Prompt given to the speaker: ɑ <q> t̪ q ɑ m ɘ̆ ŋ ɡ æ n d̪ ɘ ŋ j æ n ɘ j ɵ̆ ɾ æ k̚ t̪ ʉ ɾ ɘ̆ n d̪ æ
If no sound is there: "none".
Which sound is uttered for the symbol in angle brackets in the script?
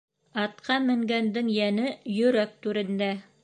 none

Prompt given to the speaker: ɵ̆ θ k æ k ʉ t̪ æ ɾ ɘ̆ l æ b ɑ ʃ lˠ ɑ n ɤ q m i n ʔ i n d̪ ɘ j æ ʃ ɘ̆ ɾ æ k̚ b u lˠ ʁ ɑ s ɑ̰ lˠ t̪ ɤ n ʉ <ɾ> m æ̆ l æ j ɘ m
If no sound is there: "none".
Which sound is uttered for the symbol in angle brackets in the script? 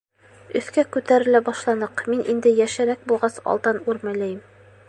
ɾ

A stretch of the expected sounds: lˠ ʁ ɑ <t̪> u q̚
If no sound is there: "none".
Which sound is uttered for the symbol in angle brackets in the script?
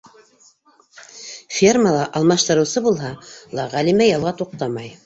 t̪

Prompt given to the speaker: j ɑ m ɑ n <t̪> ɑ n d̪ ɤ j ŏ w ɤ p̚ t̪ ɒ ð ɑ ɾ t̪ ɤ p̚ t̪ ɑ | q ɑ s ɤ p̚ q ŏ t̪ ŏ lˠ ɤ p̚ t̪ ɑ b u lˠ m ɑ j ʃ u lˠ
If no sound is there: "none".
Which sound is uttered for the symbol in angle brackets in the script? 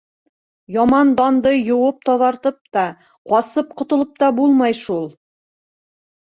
d̪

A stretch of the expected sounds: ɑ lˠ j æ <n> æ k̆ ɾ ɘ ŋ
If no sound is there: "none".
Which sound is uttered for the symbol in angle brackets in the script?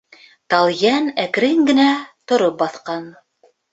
n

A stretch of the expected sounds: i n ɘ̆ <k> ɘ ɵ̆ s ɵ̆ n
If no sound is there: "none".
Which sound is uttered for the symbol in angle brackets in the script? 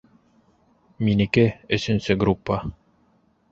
k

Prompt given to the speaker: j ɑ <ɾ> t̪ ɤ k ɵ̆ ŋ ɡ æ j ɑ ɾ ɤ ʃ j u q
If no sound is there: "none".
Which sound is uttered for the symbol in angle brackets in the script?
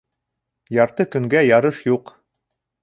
ɾ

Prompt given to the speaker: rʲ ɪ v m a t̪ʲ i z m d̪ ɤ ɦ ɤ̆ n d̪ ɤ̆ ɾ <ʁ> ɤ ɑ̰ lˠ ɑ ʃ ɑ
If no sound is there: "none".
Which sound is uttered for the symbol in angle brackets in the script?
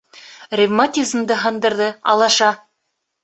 ð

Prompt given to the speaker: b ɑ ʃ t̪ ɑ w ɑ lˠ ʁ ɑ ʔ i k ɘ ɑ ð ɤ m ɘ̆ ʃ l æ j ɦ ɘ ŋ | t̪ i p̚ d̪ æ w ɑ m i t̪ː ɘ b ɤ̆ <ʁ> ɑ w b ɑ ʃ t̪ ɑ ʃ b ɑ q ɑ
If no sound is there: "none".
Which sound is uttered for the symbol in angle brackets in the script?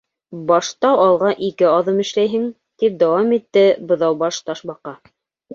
ð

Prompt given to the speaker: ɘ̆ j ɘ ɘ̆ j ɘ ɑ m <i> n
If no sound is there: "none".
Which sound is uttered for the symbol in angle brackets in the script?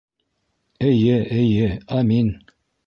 i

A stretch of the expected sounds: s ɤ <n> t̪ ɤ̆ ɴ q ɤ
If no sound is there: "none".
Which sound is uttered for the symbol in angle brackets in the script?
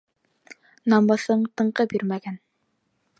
ɴ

